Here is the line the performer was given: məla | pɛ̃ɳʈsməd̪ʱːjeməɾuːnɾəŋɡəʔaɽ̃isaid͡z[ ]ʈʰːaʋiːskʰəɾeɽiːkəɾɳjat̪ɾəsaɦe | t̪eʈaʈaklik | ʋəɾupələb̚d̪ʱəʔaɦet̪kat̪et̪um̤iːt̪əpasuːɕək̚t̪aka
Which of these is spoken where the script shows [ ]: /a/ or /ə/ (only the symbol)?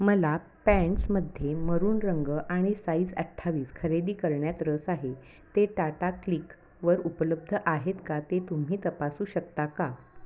ə